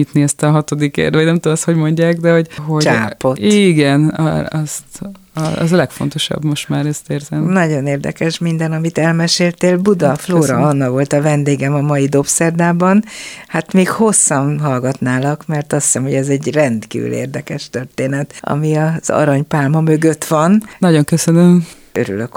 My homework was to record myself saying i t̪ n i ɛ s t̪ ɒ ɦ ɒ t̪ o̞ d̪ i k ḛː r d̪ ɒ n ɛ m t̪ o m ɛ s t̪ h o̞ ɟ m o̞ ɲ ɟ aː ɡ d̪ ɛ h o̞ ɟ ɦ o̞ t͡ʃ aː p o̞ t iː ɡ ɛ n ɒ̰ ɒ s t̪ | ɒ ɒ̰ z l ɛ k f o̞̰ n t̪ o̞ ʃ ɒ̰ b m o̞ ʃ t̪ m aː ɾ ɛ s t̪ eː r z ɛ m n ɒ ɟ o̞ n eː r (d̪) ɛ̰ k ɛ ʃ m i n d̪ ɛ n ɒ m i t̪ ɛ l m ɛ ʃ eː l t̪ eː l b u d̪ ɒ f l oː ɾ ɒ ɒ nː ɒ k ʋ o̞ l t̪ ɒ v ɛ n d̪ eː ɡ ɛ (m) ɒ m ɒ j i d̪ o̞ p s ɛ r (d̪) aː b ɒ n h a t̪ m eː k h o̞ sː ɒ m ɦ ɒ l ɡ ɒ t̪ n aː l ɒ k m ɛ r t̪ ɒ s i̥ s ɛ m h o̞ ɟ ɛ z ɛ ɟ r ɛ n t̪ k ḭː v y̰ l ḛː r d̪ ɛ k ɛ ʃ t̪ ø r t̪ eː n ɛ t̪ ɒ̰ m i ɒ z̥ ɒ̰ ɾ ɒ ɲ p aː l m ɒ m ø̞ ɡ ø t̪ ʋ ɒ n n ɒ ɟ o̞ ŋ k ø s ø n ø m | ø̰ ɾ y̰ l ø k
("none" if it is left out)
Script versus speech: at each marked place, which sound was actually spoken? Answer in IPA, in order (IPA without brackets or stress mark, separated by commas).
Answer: d̪, m, d̪